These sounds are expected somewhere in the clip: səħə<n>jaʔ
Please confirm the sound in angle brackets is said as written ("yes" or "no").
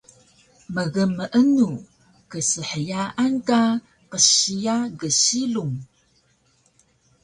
no